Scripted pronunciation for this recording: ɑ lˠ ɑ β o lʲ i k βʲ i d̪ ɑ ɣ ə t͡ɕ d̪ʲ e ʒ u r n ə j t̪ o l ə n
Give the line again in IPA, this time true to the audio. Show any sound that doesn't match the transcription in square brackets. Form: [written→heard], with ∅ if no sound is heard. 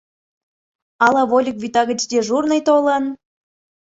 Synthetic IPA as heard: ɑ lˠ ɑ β o lʲ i k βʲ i [d̪→t̪] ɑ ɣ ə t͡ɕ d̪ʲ e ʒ u r n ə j t̪ o l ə n